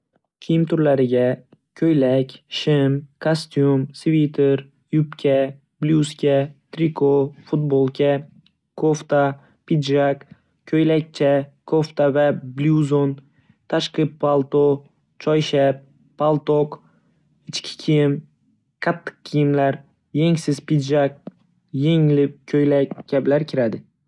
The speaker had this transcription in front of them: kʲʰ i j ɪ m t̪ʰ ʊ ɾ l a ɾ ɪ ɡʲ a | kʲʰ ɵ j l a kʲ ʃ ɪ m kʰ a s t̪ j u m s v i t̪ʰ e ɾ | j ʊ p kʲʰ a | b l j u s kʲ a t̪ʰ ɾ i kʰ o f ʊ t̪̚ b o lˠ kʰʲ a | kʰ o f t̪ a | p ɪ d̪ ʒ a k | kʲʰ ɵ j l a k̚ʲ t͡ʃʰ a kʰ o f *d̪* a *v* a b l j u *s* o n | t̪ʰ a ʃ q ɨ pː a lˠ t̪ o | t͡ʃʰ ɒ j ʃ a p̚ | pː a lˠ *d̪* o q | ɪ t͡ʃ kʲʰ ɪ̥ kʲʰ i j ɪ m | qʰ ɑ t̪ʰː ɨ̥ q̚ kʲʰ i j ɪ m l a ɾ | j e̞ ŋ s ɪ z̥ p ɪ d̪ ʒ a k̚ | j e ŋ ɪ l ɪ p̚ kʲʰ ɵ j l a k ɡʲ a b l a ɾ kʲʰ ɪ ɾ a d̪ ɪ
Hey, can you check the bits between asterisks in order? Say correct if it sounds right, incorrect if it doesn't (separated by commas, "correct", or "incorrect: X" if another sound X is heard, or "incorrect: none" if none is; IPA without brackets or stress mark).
incorrect: t̪, correct, incorrect: z, incorrect: t̪